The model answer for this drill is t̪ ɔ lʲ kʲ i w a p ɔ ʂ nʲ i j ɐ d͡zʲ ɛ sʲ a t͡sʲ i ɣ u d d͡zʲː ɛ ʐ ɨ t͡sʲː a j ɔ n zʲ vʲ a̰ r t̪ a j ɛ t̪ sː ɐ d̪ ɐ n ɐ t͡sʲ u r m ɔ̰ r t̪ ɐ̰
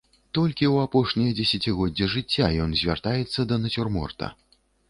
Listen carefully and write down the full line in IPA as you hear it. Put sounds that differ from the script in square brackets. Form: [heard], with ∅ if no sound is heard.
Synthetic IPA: t̪ ɔ lʲ kʲ i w a p ɔ ʂ nʲ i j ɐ d͡zʲ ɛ sʲ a t͡sʲ i ɣ [ɔ] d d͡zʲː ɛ ʐ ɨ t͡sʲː a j ɔ n zʲ vʲ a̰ r t̪ a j ɛ t̪ sː ɐ d̪ ɐ n ɐ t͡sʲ u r m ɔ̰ r t̪ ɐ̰